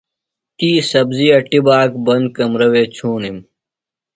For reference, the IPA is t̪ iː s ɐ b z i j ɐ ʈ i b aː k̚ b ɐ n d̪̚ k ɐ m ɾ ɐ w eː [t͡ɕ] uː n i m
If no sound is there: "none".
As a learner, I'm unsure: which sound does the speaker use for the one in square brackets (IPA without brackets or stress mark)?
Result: t͡ɕʰ